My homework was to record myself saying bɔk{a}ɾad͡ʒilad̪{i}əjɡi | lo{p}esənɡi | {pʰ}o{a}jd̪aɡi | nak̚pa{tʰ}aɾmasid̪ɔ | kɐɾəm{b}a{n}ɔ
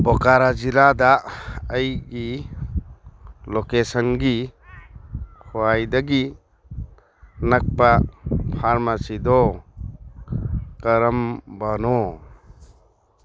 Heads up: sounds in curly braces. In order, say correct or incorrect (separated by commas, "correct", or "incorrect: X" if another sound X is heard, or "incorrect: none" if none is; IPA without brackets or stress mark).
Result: correct, incorrect: a, incorrect: k, incorrect: kʰ, correct, incorrect: pʰ, correct, correct